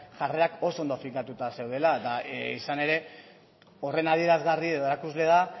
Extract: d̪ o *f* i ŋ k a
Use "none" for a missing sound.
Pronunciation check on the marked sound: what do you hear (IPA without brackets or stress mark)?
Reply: f